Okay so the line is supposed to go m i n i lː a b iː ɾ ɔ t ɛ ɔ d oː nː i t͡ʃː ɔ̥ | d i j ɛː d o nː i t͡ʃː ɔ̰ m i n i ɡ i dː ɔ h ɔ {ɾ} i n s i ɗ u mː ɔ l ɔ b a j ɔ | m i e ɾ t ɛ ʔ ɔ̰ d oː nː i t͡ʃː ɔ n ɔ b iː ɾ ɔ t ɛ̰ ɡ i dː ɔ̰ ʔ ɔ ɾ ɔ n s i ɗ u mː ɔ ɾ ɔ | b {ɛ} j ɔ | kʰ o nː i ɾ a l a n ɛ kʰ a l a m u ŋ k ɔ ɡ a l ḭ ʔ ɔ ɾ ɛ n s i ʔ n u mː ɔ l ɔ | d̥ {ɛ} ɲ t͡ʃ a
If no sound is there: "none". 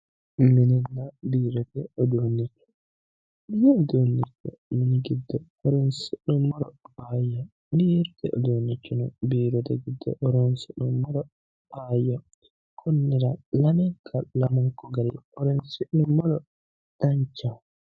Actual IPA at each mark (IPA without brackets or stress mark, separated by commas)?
ɾ, a, a